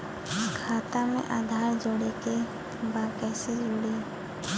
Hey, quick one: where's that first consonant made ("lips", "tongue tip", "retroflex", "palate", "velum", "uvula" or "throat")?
velum